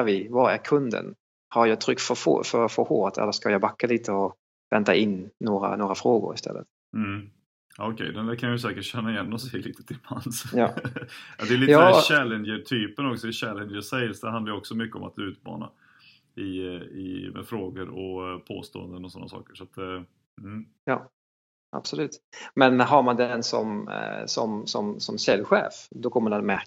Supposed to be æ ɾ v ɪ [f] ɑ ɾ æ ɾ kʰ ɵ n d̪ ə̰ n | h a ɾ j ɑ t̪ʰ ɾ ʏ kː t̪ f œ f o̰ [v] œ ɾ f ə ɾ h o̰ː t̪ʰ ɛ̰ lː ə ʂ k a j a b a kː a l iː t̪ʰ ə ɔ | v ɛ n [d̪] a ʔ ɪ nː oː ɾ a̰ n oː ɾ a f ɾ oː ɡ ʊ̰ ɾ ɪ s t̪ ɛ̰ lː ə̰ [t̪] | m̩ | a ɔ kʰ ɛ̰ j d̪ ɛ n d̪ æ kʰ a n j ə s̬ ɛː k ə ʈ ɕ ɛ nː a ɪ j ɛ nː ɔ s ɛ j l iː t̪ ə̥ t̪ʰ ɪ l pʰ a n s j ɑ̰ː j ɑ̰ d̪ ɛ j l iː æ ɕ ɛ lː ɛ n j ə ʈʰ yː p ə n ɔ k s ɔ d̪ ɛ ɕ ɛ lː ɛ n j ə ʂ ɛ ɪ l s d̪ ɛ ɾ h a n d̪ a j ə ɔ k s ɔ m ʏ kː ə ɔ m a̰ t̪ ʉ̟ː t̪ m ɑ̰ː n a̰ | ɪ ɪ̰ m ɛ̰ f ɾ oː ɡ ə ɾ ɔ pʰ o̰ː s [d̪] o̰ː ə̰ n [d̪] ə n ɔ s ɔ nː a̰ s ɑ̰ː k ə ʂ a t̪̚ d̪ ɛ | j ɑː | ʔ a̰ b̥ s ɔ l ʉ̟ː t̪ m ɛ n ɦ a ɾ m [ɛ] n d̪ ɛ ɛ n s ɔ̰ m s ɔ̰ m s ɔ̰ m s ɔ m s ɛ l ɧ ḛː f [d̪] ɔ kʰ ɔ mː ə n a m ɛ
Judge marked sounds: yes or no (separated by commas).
no, no, no, yes, no, yes, no, yes